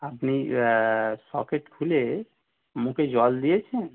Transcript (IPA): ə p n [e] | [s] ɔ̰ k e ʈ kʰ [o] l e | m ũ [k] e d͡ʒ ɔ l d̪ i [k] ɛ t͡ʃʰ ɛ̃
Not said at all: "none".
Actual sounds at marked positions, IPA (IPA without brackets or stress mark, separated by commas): i, s, u, k, none